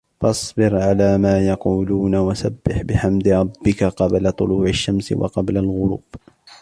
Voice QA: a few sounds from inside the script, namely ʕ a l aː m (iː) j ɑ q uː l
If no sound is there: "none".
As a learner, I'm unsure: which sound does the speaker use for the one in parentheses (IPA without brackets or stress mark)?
aː